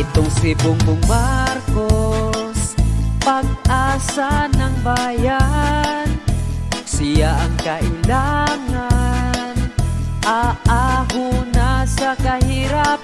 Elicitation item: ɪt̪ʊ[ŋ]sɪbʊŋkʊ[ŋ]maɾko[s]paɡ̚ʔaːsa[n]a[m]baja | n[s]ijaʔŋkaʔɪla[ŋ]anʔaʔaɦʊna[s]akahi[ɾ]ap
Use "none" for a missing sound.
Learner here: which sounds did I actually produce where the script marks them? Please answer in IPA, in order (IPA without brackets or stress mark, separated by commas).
ŋ, ŋ, s, n, ŋ, s, ŋ, s, ɾ